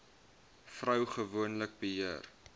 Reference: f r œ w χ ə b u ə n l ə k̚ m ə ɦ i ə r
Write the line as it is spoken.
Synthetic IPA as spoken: f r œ w χ ə v u ə n l ə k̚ b ə ɦ i ə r